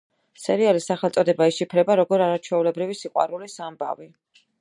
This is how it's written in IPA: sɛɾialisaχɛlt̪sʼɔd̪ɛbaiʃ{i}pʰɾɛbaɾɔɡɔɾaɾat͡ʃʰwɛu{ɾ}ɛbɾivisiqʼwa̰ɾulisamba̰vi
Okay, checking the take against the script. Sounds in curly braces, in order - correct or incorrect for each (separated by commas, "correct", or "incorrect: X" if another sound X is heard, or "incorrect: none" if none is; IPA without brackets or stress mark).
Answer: correct, incorrect: l